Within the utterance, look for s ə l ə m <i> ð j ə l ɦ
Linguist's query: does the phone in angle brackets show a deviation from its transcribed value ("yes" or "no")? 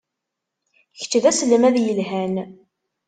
yes